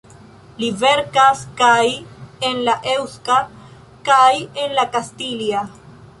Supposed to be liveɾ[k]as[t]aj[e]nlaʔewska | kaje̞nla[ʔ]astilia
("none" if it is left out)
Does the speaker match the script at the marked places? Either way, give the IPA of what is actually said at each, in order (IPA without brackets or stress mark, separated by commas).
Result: k, k, e, k